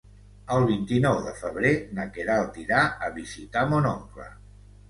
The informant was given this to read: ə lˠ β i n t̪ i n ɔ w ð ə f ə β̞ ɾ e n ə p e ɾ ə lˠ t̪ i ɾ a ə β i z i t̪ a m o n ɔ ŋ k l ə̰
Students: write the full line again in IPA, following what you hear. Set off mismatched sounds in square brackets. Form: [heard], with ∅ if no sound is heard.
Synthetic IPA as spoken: ə lˠ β i n t̪ i n ɔ w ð ə f ə β̞ ɾ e n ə [k] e ɾ [a] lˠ t̪ i ɾ a ə β i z i t̪ a m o n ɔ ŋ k l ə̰